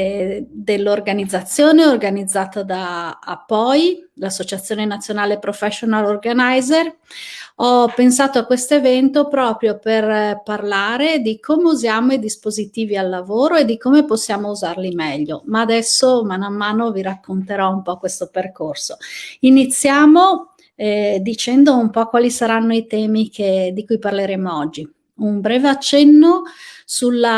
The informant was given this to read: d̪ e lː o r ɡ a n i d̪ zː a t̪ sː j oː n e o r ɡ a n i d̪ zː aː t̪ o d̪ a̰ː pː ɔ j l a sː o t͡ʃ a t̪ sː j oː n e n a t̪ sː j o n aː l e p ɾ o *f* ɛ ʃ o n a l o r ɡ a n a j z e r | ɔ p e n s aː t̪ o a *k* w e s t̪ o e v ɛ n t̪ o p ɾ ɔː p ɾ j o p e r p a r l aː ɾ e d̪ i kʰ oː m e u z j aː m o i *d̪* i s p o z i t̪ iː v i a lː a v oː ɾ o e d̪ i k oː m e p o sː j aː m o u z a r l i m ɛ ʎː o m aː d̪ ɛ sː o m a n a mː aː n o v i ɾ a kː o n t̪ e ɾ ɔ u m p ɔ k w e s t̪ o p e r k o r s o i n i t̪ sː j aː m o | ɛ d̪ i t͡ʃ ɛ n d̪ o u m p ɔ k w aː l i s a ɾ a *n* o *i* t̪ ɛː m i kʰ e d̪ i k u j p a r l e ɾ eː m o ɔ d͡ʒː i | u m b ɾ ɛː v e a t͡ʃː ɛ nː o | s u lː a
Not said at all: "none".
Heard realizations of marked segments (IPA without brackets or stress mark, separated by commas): f, k, d̪, nː, i